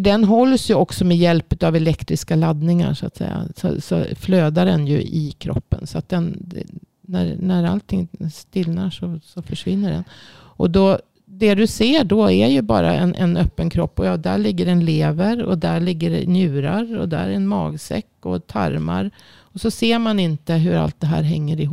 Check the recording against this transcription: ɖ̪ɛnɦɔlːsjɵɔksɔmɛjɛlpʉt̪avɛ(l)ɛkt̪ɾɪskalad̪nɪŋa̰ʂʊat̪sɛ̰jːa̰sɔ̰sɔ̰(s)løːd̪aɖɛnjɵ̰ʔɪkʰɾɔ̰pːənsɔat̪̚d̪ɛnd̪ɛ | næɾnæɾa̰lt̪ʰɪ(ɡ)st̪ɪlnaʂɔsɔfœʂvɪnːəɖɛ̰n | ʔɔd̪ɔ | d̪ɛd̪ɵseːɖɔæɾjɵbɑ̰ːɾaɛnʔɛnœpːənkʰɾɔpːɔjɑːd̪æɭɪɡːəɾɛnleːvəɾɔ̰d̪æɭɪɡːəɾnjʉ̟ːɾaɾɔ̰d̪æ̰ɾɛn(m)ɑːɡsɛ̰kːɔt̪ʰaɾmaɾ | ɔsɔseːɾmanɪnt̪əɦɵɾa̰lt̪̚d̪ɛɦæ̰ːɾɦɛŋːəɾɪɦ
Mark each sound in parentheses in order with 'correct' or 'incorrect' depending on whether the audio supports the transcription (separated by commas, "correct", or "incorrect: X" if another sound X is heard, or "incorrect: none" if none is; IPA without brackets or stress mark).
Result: correct, incorrect: f, incorrect: ŋ, correct